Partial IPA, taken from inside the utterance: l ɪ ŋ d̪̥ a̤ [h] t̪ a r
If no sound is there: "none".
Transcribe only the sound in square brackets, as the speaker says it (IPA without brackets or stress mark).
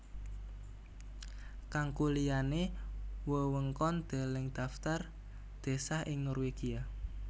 f